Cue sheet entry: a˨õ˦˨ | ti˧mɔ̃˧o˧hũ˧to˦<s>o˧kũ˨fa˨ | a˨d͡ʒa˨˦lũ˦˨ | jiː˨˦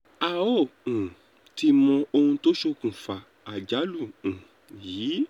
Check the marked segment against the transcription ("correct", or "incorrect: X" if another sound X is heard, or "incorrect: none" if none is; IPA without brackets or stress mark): incorrect: ʃ